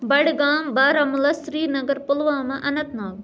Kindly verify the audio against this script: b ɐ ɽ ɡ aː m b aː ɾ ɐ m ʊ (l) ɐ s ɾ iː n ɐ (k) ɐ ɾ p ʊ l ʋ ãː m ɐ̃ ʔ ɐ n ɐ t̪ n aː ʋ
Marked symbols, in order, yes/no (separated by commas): yes, no